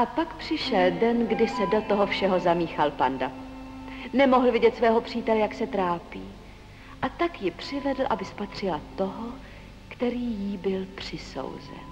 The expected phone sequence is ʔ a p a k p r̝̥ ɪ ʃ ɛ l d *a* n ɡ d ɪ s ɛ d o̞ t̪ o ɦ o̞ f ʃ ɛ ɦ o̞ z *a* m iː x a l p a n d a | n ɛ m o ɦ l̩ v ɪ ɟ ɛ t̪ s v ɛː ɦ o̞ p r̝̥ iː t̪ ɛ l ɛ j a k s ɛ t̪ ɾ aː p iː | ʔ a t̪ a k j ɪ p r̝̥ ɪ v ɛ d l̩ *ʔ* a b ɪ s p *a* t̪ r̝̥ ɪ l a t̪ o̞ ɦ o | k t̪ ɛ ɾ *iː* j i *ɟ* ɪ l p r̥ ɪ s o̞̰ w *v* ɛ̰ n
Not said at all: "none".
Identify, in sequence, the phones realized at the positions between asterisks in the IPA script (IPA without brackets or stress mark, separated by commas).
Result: ɛ, a, ʔ, a, iː, b, z